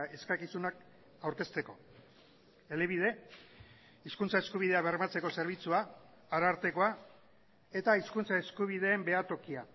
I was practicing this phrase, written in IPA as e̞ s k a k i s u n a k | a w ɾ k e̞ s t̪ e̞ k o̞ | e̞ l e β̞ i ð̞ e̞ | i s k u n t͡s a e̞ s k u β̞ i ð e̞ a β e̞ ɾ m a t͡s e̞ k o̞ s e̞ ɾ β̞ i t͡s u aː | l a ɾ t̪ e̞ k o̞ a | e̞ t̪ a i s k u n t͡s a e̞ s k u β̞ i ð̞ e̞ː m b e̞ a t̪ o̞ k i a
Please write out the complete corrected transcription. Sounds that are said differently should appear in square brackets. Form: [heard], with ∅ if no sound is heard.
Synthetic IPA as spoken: e̞ s k a k i s u n a k | a w ɾ k e̞ s t̪ e̞ k o̞ | e̞ l e β̞ i ð̞ e̞ | i s k u n t͡s a e̞ s k u β̞ i ð e̞ a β e̞ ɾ m a t͡s e̞ k o̞ s e̞ ɾ β̞ i t͡s u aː | [ɾ] a ɾ t̪ e̞ k o̞ a | e̞ t̪ a i s k u n t͡s a e̞ s k u β̞ i ð̞ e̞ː m b e̞ a t̪ o̞ k i a